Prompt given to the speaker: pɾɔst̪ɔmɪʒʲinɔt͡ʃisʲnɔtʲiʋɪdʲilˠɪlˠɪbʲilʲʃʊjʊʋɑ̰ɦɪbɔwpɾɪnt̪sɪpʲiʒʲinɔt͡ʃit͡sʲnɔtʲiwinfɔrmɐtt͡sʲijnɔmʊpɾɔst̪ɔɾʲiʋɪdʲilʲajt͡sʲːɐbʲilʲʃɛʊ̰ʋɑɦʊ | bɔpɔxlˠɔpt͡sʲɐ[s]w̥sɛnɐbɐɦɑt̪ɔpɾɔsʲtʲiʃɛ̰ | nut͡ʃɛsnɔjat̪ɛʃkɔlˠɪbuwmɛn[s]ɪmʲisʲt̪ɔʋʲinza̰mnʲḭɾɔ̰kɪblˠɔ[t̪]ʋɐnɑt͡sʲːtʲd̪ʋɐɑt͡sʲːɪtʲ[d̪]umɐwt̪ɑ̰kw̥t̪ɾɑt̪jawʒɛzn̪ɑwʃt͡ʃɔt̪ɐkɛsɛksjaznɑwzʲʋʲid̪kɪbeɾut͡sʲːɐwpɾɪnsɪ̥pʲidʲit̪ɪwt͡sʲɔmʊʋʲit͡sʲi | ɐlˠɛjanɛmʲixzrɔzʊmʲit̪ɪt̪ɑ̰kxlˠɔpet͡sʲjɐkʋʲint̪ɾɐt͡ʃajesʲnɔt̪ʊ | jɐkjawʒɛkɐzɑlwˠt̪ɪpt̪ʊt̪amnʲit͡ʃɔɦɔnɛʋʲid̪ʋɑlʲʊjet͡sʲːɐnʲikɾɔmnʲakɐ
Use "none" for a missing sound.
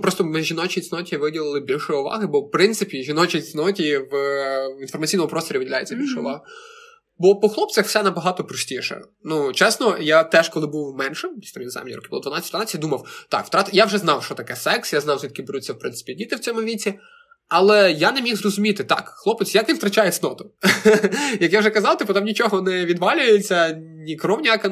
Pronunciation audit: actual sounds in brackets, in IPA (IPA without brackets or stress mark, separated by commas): x, ʃ, d̪, d̪